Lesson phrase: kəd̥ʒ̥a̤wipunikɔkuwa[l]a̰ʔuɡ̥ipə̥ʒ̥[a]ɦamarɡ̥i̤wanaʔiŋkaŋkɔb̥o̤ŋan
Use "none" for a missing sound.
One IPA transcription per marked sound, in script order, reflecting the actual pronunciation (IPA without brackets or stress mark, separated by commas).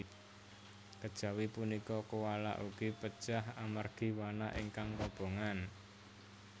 l, a